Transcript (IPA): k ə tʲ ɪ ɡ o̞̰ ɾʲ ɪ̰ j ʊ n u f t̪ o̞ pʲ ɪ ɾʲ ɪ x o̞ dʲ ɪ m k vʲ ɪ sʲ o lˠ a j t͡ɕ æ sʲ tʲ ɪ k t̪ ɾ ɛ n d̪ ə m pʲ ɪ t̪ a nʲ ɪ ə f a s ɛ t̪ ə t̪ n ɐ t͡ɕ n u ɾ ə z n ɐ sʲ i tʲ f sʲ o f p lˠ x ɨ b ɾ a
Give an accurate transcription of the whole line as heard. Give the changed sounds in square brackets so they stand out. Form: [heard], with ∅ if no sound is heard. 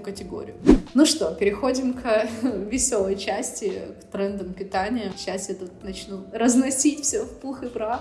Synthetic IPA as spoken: k ə tʲ ɪ ɡ o̞̰ ɾʲ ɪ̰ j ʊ n u [ʂ] t̪ o̞ pʲ ɪ ɾʲ ɪ x o̞ dʲ ɪ m k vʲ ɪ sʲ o lˠ [ə] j t͡ɕ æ sʲ tʲ ɪ k t̪ ɾ ɛ n d̪ ə m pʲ ɪ t̪ a nʲ ɪ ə [ɕ] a s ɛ t̪ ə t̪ n ɐ t͡ɕ n u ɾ ə z n ɐ sʲ i tʲ f sʲ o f p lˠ x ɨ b ɾ a